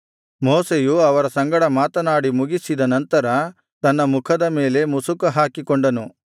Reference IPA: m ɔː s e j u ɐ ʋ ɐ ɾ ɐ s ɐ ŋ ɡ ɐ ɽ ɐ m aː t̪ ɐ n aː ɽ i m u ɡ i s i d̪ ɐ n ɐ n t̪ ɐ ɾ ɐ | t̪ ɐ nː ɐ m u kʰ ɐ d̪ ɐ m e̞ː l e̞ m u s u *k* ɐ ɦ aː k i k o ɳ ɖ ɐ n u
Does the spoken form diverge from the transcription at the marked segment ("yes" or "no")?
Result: no